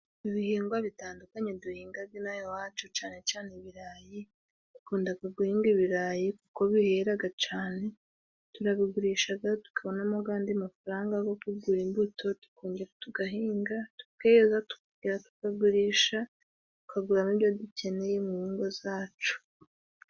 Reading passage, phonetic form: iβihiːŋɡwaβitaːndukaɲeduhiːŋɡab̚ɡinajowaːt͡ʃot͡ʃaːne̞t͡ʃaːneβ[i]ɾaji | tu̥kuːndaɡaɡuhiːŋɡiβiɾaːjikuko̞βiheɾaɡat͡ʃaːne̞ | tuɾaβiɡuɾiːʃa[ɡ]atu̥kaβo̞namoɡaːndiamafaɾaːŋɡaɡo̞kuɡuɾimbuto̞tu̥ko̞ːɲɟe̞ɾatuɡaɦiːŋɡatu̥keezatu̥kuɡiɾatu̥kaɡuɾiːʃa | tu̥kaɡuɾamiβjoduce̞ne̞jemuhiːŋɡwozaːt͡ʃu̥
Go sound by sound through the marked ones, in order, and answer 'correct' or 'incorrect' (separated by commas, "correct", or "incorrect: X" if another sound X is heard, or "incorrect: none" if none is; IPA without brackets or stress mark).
correct, correct